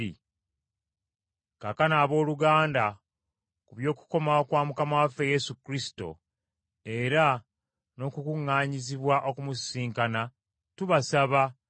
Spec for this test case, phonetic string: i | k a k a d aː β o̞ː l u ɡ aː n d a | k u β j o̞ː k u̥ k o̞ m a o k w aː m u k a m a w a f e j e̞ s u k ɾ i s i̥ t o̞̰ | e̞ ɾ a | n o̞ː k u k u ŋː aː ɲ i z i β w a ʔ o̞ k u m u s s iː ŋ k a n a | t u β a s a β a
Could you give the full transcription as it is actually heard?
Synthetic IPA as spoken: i | k a k a n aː β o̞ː l u ɡ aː n d a | k u β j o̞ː k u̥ k o̞ m a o k w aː m u k a m a w a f e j e̞ s u k ɾ i s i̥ t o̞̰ | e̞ ɾ a | n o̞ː k u k u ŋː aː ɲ i z i β w a ʔ o̞ k u m u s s iː ŋ k a n a | t u β a s a β a